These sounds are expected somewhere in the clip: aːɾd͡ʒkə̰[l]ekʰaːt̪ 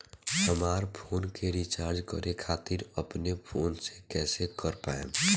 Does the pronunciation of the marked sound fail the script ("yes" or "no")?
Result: yes